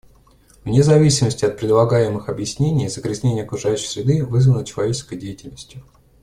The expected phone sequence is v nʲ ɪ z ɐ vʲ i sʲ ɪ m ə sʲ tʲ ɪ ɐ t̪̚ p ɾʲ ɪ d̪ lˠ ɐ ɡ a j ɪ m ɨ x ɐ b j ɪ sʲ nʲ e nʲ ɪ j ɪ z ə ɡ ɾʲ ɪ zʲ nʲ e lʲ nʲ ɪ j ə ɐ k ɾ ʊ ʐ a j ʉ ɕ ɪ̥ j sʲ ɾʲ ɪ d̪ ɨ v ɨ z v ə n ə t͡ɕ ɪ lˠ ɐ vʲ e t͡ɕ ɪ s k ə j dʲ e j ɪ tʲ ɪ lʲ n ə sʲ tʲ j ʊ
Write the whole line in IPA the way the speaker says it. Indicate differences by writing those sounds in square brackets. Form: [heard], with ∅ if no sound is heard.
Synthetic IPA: v nʲ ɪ z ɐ vʲ i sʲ ɪ m ə sʲ tʲ ɪ ɐ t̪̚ p ɾʲ ɪ d̪ lˠ ɐ ɡ a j ɪ m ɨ x ɐ b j ɪ sʲ nʲ e nʲ ɪ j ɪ z ə ɡ ɾʲ ɪ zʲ nʲ e [∅] nʲ ɪ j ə ɐ k ɾ ʊ ʐ a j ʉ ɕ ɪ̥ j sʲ ɾʲ ɪ d̪ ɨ v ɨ z v ə n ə t͡ɕ ɪ lˠ ɐ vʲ e t͡ɕ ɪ s k ə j dʲ e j ɪ tʲ ɪ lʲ n ə sʲ tʲ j ʊ